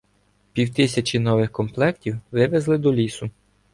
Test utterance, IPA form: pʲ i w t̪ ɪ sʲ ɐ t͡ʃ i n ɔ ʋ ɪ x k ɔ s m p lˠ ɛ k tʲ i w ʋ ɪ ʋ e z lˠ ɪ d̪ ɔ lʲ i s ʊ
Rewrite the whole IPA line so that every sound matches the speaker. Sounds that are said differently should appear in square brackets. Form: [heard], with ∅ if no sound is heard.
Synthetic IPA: pʲ i w t̪ ɪ sʲ ɐ t͡ʃ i n ɔ ʋ ɪ x k ɔ [∅] m p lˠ ɛ k tʲ i w ʋ ɪ ʋ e z lˠ ɪ d̪ ɔ lʲ i s ʊ